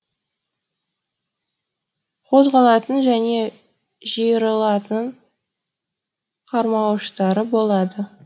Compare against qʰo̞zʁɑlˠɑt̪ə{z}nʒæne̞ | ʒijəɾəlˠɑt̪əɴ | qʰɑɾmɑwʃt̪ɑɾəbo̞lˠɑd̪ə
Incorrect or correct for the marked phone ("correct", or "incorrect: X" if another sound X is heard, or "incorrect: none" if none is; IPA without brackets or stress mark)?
incorrect: none